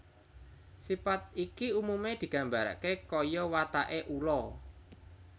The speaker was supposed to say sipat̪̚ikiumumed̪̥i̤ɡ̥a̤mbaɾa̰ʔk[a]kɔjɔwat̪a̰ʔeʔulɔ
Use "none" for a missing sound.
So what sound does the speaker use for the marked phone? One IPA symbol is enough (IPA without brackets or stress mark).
e